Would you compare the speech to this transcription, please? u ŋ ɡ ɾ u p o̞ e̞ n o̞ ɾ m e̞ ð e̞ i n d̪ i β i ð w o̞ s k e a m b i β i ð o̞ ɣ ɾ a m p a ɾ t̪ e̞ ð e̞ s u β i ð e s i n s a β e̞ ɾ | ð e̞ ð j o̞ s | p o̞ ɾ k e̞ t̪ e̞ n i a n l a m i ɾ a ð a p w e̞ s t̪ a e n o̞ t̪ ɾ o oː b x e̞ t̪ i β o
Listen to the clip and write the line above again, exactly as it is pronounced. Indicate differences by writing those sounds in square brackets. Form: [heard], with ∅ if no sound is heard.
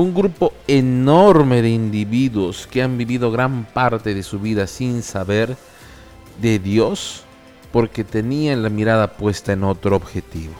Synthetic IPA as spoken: u ŋ ɡ ɾ u p o̞ e̞ n o̞ ɾ m e̞ ð e̞ i n d̪ i β i ð w o̞ s k e a m b i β i ð o̞ ɣ ɾ a m p a ɾ t̪ e̞ ð e̞ s u β i ð [a] s i n s a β e̞ ɾ | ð e̞ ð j o̞ s | p o̞ ɾ k e̞ t̪ e̞ n i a n l a m i ɾ a ð a p w e̞ s t̪ a e n o̞ t̪ ɾ o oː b x e̞ t̪ i β o